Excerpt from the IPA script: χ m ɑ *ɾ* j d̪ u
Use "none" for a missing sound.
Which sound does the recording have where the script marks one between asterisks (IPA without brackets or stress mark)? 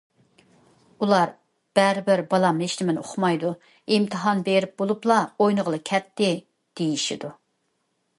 none